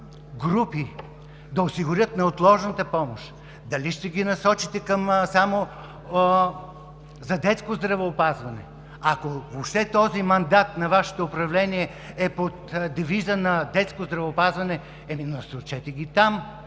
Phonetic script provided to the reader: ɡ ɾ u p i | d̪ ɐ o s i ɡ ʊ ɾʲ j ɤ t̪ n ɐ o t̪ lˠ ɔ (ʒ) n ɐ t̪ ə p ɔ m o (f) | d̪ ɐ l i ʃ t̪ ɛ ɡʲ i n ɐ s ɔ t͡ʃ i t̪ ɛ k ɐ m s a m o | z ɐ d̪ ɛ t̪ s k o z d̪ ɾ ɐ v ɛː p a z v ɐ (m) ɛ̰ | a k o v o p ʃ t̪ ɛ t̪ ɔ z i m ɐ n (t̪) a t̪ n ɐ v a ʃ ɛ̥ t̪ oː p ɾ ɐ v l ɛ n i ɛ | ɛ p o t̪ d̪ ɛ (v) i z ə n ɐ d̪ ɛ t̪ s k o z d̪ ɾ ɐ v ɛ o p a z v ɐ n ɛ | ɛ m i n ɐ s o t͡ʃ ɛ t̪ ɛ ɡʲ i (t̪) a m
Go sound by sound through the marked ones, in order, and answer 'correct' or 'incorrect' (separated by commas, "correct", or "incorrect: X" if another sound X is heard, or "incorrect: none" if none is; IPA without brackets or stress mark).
correct, incorrect: ʃ, incorrect: n, incorrect: d̪, correct, correct